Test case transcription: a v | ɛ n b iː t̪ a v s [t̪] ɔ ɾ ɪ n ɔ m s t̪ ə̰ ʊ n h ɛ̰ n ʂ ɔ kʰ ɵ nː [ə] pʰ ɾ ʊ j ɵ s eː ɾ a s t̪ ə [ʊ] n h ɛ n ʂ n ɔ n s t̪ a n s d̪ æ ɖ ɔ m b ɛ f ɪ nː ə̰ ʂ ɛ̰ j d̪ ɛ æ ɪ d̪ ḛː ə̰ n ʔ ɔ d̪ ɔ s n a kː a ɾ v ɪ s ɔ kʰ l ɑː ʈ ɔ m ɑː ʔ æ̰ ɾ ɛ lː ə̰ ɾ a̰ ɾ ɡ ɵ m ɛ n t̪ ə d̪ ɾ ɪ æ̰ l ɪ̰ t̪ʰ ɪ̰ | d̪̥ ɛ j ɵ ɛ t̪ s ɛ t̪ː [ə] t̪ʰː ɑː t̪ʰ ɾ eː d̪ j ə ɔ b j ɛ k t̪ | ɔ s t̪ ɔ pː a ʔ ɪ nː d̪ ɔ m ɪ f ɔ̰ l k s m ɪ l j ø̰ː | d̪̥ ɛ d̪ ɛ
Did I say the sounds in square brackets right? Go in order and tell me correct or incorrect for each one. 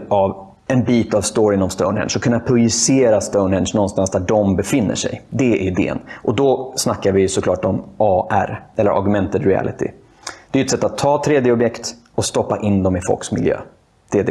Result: correct, incorrect, correct, incorrect

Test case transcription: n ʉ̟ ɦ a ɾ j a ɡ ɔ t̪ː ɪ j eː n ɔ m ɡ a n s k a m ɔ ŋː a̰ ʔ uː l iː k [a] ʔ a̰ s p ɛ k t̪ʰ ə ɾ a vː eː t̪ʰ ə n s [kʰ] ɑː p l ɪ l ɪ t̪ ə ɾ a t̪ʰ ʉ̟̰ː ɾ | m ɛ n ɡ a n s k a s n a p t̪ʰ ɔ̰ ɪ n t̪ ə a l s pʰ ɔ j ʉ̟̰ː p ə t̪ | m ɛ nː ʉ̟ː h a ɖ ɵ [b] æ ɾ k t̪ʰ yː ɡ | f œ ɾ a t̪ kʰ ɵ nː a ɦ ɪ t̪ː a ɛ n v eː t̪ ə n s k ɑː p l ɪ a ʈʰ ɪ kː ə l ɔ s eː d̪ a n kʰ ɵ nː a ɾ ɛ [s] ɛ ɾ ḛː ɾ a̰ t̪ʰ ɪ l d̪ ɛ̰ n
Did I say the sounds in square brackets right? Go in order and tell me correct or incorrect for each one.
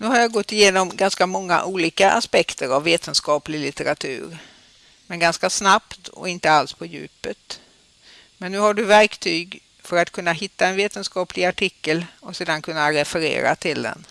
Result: correct, incorrect, incorrect, incorrect

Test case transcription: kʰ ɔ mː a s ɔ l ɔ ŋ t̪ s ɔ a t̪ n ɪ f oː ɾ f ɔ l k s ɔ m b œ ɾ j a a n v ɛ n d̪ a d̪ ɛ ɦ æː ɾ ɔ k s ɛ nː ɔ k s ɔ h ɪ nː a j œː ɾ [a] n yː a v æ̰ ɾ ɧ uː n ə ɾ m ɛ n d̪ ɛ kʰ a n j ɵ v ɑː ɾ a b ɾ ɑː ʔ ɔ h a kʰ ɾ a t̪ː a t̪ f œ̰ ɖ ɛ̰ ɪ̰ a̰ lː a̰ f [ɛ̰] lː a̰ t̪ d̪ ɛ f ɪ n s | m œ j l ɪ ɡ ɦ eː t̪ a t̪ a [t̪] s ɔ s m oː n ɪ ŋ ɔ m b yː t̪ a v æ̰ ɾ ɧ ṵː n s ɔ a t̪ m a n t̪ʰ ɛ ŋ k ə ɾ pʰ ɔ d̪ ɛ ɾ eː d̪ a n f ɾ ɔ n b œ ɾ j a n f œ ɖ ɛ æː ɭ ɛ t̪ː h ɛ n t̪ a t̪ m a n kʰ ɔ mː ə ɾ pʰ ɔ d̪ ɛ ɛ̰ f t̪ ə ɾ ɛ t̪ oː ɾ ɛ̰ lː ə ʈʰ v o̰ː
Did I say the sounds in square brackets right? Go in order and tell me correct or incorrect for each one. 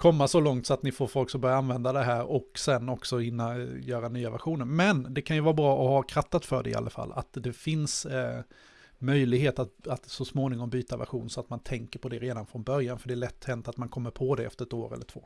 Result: correct, incorrect, correct

